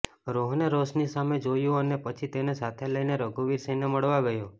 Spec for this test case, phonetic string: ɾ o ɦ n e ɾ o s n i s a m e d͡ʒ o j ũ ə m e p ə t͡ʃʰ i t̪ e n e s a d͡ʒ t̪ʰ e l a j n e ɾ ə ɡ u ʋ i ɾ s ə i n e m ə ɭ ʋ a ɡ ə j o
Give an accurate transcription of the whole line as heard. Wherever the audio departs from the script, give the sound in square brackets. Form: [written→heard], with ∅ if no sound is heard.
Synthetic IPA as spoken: ɾ o ɦ n e ɾ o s n i s a m e d͡ʒ o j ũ ə [m→n] e p ə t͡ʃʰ i t̪ e n e s a [d͡ʒ→∅] t̪ʰ e l [a→ə] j n e ɾ ə ɡ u ʋ i ɾ s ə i n e m ə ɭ ʋ a ɡ ə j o